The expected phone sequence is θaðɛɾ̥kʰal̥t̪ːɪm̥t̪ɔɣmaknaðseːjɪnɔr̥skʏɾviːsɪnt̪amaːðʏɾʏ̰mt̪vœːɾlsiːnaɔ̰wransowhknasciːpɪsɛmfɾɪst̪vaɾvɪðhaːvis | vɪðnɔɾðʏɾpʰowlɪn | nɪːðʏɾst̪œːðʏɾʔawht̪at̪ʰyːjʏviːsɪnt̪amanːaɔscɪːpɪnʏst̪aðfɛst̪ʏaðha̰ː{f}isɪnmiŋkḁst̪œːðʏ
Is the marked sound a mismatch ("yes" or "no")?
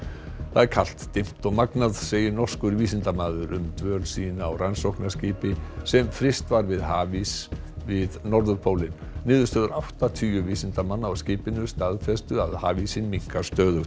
yes